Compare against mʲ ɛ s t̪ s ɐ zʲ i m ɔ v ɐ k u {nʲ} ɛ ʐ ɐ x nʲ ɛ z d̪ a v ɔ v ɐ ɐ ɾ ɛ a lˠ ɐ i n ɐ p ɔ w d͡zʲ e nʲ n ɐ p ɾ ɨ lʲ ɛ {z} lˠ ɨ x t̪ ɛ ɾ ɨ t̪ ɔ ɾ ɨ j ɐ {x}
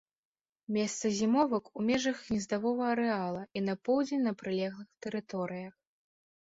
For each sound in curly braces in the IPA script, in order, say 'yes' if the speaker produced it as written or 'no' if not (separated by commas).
no, no, yes